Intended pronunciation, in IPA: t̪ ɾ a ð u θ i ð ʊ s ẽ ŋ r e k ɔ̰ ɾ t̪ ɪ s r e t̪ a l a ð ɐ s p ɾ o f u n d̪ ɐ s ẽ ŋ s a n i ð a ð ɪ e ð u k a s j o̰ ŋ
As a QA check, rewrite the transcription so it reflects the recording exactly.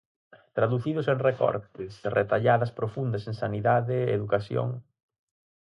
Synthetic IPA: t̪ ɾ a ð u θ i ð ʊ s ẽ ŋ r e k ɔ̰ ɾ t̪ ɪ s r e t̪ a ʎ a ð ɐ s p ɾ o f u n d̪ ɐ s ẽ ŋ s a n i ð a ð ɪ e ð u k a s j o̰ ŋ

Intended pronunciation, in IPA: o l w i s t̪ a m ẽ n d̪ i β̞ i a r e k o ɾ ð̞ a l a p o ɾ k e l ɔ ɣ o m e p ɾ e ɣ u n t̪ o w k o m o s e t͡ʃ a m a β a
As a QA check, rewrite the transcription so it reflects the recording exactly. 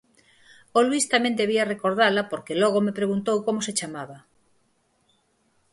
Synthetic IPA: o l w i s t̪ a m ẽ n d̪ e β̞ i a r e k o ɾ ð̞ a l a p o ɾ k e l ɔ ɣ o m e p ɾ e ɣ u n t̪ o w k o m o s e t͡ʃ a m a β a

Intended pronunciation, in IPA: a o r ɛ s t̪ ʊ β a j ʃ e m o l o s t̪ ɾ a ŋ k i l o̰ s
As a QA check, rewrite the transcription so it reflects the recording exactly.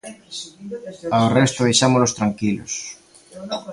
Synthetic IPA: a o r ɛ s t̪ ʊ β e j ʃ a m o l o s t̪ ɾ a ŋ k i l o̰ s

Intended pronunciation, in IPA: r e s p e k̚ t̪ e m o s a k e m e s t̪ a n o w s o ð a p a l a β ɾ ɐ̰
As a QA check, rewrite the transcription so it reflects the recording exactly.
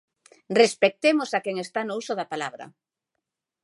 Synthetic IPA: r e s p e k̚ t̪ e m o s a k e ŋ e s t̪ a n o u s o ð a p a l a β ɾ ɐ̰

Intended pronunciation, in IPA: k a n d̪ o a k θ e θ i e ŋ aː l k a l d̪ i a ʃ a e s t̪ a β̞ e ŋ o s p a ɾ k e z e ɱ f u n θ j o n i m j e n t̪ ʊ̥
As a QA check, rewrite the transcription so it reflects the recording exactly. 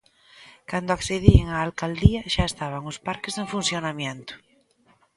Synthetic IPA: k a n d̪ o a k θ e ð i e ŋ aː l k a l d̪ i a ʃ a e s t̪ a β̞ a ŋ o s p a ɾ k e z e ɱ f u n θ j o n a m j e n t̪ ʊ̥

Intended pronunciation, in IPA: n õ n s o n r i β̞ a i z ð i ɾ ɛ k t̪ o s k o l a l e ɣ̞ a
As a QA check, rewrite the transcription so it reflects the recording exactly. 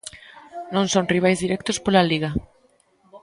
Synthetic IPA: n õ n s o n r i β̞ a j z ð i ɾ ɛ k t̪ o s p o l a l i ɣ̞ a

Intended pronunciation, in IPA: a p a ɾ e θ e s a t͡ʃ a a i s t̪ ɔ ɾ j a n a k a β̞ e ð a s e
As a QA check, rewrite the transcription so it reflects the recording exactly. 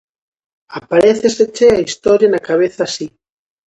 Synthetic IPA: a p a ɾ e θ e s e t͡ʃ e a i s t̪ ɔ ɾ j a n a k a β̞ e θ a s i

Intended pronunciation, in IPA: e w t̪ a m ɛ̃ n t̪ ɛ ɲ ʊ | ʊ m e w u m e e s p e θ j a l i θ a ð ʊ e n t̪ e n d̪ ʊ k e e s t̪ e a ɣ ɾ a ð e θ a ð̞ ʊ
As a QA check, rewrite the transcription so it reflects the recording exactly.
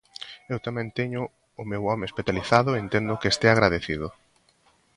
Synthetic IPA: e w t̪ a m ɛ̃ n t̪ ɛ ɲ ʊ | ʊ m e w ɔ m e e s p e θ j a l i θ a ð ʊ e n t̪ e n d̪ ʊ k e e s t̪ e a ɣ ɾ a ð e θ i ð̞ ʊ

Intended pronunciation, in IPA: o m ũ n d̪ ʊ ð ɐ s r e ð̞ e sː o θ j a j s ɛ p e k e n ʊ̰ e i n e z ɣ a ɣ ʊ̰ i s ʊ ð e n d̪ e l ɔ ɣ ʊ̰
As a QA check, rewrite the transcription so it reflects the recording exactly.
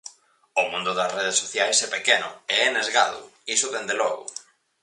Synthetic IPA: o m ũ n d̪ ʊ ð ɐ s r e ð̞ e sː o θ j a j s ɛ p e k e n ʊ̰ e ɛ n e z ɣ a ð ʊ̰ i s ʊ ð e n d̪ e l ɔ ɣ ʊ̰

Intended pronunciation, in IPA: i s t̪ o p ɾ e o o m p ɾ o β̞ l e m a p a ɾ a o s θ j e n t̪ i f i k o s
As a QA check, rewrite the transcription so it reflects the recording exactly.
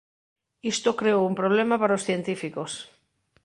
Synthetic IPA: i s t̪ o k ɾ e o u m p ɾ o β̞ l e m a p a ɾ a o s θ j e n t̪ i f i k o s

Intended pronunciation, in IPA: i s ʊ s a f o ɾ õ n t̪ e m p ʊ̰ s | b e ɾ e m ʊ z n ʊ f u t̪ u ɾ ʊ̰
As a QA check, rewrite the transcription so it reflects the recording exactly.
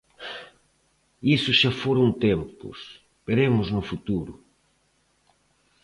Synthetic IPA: i s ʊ ʃ a f o ɾ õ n t̪ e m p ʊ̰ s | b e ɾ e m ʊ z n ʊ f u t̪ u ɾ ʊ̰

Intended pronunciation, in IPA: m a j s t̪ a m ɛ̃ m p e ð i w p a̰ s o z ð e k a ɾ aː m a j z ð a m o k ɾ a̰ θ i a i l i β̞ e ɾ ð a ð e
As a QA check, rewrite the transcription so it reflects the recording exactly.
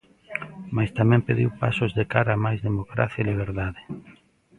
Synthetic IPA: m a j s t̪ a m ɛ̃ m p e ð i w p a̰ s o z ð e k a ɾ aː m a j z ð e m o k ɾ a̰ θ j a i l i β̞ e ɾ ð a ð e

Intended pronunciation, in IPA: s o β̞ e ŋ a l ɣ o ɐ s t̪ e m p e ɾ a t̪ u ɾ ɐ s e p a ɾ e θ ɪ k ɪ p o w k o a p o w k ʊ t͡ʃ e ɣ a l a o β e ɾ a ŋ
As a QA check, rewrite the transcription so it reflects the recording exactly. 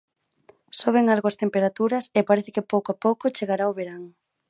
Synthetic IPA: s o β̞ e ŋ a l ɣ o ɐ s t̪ e m p e ɾ a t̪ u ɾ ɐ s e p a ɾ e θ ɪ k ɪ p o w k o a p o w k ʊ t͡ʃ e ɣ a ɾ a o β e ɾ a ŋ

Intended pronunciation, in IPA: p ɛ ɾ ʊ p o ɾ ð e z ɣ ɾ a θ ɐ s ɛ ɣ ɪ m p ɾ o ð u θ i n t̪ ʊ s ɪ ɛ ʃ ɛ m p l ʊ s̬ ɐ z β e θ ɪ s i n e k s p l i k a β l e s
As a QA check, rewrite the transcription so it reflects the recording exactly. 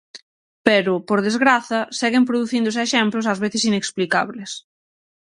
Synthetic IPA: p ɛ ɾ ʊ p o ɾ ð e z ɣ ɾ a θ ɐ s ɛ ɣ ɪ m p ɾ o ð u θ i n d̪ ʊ s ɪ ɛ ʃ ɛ m p l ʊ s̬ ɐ z β e θ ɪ s i n e k s p l i k a β l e s

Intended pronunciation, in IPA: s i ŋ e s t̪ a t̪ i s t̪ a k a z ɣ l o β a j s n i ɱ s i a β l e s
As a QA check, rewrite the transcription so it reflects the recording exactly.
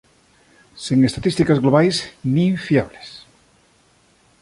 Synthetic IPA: s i ŋ e s t̪ a t̪ i s t̪ i k a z ɣ l o β a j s n i ɱ f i a β l e s

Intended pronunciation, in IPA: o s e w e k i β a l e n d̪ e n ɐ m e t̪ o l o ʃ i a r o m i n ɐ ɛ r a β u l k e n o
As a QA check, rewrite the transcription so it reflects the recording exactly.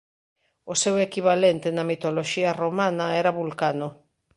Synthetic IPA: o s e w e k i β a l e n t̪ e n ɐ m i t̪ o l o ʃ i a r o m a n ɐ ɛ ɾ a β u l k a n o

